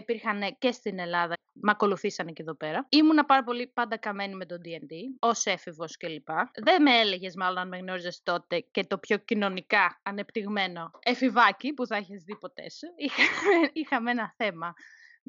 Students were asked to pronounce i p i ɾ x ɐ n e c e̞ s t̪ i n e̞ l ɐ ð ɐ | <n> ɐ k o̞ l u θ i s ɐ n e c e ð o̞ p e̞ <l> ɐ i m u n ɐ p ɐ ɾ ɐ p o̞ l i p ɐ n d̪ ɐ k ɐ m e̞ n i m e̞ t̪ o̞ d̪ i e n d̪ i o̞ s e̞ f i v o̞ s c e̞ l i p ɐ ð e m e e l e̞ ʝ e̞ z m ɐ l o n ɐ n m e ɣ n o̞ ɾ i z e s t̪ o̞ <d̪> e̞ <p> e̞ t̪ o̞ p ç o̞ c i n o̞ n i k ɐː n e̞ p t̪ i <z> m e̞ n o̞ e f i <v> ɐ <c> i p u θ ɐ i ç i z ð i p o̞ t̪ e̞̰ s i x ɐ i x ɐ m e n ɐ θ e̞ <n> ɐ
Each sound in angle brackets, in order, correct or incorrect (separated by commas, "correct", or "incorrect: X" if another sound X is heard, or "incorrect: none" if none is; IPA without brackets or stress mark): incorrect: m, incorrect: ɾ, incorrect: t̪, incorrect: c, incorrect: ɣ, correct, correct, incorrect: m